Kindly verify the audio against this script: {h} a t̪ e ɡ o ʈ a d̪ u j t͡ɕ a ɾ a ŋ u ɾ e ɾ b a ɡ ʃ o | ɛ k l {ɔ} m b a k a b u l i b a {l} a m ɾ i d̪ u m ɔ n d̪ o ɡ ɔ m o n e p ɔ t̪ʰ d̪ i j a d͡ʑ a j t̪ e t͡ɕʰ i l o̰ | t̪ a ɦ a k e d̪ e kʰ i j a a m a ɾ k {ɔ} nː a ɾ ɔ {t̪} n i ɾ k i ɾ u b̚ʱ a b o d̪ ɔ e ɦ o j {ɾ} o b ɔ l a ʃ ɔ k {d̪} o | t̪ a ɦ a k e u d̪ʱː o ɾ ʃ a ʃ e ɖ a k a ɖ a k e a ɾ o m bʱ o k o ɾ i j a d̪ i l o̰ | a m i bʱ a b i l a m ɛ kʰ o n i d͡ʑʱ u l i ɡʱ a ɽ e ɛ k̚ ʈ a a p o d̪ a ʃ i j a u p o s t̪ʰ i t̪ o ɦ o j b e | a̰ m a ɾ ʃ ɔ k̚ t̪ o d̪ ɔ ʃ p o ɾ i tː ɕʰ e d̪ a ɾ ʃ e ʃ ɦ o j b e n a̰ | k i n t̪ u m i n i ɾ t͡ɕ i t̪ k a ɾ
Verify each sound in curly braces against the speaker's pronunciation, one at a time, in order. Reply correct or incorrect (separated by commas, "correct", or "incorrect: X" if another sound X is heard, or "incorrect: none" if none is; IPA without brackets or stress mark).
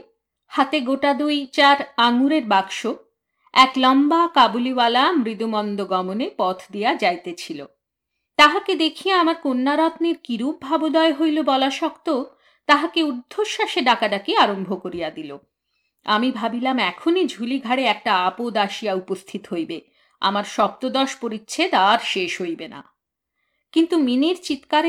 correct, correct, correct, incorrect: o, correct, incorrect: l, incorrect: t̪